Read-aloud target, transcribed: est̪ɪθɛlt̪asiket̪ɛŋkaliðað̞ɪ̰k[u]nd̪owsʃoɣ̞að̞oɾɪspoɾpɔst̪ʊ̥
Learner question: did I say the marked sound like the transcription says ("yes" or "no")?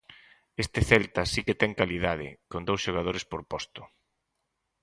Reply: no